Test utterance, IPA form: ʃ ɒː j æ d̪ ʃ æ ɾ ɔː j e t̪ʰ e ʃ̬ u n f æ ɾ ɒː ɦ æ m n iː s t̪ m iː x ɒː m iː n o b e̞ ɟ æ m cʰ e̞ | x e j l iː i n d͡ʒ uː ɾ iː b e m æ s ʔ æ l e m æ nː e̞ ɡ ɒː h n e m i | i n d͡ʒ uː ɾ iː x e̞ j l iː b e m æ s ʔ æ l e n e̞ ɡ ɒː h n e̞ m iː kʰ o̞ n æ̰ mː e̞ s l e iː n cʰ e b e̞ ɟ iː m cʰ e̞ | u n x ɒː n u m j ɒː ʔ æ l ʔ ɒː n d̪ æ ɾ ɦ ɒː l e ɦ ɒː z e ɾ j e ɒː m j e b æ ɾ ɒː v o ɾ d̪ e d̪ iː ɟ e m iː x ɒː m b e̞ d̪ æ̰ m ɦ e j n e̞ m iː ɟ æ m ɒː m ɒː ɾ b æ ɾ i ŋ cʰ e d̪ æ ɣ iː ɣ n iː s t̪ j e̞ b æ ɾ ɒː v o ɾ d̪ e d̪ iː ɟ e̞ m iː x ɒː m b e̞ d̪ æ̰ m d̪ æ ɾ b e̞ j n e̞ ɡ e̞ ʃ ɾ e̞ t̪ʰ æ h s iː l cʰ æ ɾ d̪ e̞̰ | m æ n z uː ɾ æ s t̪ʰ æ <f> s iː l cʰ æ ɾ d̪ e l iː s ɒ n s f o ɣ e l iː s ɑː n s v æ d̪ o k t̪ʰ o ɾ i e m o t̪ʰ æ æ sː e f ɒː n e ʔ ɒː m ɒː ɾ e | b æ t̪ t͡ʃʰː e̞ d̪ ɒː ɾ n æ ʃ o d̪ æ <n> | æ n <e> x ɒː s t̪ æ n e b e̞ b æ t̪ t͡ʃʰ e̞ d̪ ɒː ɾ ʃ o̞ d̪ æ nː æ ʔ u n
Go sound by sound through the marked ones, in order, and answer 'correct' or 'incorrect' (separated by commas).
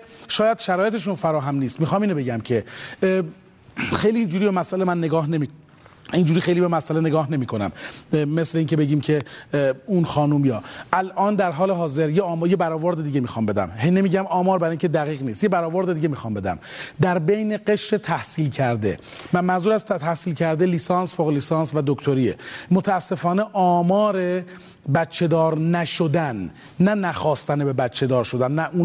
incorrect, incorrect, incorrect